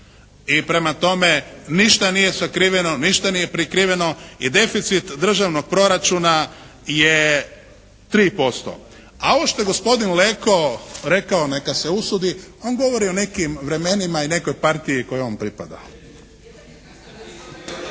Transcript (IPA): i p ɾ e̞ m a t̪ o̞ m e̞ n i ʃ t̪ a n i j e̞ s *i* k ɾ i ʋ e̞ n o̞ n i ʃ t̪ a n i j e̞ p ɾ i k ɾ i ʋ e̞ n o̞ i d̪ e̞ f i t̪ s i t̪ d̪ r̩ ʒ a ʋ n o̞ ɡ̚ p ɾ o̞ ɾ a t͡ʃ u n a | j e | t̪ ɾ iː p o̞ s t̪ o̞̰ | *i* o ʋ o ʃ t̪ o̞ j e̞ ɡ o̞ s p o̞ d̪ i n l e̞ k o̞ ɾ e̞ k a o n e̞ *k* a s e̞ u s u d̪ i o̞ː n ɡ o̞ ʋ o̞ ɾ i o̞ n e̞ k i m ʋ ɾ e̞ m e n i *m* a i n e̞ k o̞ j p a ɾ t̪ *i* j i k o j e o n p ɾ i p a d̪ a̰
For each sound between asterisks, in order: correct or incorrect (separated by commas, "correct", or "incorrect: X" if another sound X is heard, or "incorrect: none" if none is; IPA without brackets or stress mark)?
incorrect: a, incorrect: a, correct, correct, correct